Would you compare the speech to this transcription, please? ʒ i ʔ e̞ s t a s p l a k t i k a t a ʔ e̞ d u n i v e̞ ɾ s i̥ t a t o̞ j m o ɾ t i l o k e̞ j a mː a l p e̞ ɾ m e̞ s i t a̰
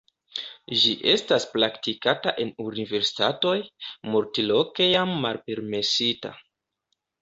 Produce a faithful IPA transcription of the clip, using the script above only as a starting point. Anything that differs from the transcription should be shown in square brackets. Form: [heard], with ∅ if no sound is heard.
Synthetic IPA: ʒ i ʔ e̞ s t a s p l a k t i k a t a ʔ e̞ [n] u n i v e̞ ɾ s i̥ t a t o̞ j m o ɾ t i l o k e̞ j a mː a l p e̞ ɾ m e̞ s i t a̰